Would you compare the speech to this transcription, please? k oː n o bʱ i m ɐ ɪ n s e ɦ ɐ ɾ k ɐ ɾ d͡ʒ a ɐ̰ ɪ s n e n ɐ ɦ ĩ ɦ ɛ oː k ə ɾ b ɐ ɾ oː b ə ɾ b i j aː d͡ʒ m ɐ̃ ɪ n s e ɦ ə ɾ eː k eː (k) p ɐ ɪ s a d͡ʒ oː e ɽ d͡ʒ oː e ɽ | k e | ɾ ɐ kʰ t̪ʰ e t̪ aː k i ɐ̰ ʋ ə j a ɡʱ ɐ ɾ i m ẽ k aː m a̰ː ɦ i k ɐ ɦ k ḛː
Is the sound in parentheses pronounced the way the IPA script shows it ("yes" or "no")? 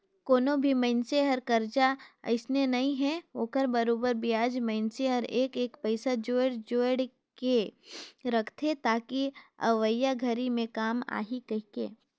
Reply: yes